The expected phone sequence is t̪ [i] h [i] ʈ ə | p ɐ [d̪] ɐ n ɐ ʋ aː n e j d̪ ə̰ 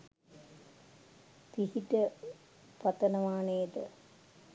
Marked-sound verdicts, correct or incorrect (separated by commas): correct, correct, incorrect